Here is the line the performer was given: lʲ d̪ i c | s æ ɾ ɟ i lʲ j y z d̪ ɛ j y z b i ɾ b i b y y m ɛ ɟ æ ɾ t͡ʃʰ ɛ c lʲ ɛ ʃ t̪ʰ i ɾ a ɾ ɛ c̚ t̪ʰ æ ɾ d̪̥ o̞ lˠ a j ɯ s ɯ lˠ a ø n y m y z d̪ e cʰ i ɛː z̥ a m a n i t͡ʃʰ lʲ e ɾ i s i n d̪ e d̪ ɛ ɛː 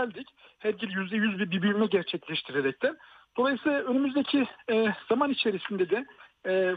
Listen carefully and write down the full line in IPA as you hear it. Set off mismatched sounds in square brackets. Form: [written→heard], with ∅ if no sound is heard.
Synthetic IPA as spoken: lʲ d̪ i c | [s→h] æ ɾ ɟ i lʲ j y z d̪ ɛ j y z b i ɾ b i b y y m ɛ ɟ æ ɾ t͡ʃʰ ɛ c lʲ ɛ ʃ t̪ʰ i ɾ [a→e] ɾ ɛ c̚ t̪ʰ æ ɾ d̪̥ o̞ lˠ a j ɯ s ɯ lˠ a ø n y m y z d̪ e cʰ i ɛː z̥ a m a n i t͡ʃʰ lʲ e ɾ i s i n d̪ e d̪ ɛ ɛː